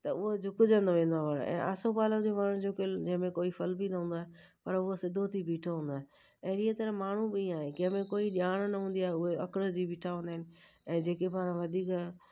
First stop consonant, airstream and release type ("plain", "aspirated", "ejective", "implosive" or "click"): plain